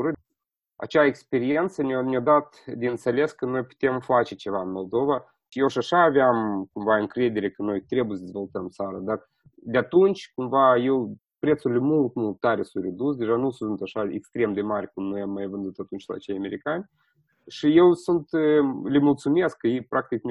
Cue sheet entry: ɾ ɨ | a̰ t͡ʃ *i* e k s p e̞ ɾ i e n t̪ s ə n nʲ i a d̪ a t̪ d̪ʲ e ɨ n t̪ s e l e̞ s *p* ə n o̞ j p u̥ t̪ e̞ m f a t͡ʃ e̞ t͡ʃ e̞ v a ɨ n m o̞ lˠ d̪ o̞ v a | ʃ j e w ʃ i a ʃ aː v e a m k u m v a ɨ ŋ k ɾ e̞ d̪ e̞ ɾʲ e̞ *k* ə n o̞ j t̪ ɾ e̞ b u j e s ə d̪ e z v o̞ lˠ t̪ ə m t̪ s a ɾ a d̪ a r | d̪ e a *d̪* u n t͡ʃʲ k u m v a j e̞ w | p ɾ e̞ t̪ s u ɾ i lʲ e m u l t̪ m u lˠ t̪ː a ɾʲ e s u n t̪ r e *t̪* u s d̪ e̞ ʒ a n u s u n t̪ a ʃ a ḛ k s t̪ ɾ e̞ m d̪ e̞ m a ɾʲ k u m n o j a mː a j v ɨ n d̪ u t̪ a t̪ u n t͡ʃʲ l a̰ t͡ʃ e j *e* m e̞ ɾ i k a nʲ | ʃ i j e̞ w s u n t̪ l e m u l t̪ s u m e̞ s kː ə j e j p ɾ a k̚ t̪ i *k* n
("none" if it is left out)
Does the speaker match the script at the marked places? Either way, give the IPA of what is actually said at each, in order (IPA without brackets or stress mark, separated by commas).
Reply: a, k, k, t̪, d̪, a, k